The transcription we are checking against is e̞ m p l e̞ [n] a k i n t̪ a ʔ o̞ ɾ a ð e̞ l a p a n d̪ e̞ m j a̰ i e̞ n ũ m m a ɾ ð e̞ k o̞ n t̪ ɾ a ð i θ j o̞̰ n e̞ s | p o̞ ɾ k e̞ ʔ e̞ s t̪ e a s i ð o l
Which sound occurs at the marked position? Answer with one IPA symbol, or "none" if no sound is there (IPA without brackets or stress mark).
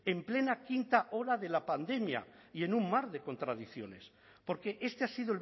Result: n